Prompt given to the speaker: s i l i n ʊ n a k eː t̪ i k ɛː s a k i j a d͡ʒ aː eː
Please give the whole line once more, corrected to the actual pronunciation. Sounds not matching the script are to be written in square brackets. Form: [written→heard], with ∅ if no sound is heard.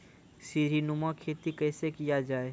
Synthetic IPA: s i [l→ɾ] i n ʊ [n→m] a [k→kʰ] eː t̪ i k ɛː s [a→e] k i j a d͡ʒ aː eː